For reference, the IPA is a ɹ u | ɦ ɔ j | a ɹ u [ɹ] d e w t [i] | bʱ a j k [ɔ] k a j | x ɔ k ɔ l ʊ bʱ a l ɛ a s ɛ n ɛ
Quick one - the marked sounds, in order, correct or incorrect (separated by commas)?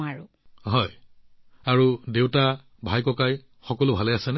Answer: incorrect, incorrect, correct